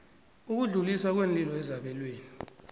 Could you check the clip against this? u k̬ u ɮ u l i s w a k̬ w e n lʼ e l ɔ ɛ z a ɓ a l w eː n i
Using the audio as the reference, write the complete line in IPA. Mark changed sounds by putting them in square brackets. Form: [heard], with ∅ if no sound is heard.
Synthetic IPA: u k̬ u ɮ u l i s w a k̬ w e n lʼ [i] l ɔ ɛ z a ɓ [ɛ] l w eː n i